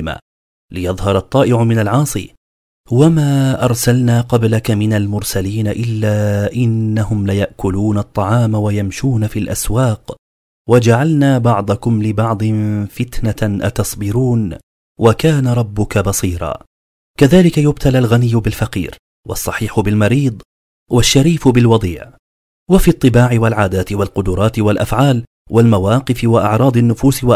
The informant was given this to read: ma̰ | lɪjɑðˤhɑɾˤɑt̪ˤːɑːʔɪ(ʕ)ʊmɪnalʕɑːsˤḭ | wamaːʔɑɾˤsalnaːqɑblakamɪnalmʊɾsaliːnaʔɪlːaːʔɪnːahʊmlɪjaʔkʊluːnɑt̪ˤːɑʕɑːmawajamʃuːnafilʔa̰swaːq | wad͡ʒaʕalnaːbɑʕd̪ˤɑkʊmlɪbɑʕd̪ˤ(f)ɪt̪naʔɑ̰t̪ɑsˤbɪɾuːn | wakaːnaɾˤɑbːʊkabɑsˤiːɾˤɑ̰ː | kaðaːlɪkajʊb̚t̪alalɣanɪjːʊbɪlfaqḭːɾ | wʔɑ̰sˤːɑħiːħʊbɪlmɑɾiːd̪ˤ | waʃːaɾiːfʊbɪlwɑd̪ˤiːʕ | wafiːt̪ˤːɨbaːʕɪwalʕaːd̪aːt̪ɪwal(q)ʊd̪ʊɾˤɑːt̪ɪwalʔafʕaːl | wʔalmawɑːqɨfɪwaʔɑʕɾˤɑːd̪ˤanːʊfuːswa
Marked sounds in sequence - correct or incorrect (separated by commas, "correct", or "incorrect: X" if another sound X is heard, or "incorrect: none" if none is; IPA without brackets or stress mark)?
correct, correct, correct